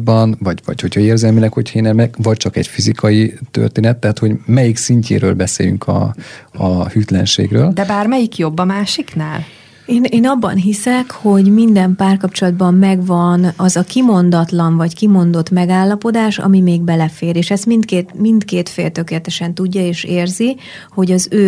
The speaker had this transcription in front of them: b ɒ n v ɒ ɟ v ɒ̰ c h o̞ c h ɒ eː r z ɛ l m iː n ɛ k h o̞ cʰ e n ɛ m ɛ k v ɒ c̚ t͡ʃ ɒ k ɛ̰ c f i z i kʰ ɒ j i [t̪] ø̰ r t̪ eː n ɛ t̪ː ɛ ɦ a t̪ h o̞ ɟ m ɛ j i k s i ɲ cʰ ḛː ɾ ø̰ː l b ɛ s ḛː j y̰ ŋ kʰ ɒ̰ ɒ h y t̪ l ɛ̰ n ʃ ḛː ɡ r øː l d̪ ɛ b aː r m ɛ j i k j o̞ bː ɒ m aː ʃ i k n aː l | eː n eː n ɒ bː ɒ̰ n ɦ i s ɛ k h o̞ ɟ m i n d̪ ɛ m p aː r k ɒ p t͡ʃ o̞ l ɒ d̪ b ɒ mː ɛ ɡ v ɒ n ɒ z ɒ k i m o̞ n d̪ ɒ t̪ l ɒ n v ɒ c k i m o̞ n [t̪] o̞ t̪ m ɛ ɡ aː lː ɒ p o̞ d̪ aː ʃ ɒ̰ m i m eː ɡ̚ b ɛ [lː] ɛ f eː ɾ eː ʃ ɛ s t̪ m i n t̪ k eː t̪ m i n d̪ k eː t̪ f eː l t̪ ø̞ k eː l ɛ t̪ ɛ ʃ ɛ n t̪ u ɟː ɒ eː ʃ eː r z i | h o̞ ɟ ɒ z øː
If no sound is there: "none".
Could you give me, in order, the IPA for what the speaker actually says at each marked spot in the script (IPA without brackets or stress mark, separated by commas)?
t̪, d̪, l